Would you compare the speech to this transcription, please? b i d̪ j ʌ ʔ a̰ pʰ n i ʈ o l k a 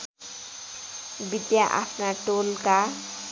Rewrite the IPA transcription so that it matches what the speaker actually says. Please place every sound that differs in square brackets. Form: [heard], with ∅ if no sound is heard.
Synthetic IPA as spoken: b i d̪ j [a] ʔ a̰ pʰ n [a] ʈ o l k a